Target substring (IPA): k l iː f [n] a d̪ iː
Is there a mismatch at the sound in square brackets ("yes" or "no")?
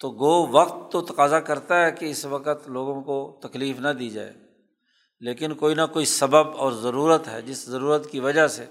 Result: no